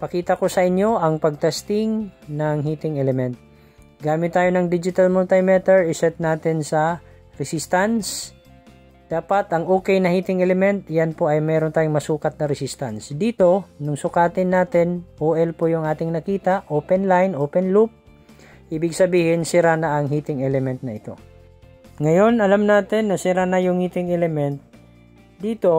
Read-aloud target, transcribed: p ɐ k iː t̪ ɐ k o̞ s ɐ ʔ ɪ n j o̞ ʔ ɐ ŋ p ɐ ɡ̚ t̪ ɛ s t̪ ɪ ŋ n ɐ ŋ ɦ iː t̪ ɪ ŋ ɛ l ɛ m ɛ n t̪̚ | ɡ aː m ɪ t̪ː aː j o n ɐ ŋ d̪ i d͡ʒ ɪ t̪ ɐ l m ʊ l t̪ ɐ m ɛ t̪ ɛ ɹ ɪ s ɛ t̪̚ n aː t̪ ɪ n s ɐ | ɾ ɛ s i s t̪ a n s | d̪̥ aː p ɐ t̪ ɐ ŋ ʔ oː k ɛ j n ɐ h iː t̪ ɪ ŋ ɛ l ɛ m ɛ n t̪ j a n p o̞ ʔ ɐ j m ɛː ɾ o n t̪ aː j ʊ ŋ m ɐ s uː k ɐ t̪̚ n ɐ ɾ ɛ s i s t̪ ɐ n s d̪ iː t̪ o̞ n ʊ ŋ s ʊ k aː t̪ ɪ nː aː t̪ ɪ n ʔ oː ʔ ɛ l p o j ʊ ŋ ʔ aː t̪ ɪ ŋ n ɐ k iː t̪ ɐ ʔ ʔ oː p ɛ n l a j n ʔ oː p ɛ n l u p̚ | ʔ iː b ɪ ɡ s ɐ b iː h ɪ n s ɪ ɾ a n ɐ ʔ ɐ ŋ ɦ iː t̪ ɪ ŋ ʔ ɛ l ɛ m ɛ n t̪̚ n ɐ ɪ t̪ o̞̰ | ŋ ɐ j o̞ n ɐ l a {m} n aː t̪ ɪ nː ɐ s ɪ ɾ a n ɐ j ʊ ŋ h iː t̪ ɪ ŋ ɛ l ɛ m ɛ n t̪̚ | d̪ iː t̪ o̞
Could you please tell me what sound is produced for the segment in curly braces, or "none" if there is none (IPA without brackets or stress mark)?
m